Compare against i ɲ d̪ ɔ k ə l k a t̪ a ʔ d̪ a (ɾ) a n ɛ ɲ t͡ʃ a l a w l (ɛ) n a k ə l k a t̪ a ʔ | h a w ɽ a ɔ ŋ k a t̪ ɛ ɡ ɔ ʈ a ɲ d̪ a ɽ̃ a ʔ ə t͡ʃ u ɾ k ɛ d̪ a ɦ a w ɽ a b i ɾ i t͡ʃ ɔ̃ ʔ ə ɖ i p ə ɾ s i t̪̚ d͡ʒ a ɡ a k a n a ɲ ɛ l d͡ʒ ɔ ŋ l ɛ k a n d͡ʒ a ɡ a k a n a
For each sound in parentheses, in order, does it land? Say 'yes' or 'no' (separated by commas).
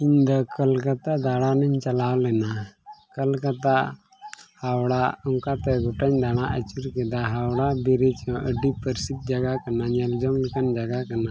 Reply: no, yes